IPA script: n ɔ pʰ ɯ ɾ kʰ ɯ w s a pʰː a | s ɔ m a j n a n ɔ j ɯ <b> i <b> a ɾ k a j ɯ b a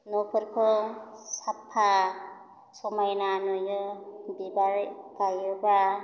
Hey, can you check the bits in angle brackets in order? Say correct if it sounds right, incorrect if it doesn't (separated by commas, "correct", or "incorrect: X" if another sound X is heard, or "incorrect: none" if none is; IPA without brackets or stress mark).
correct, correct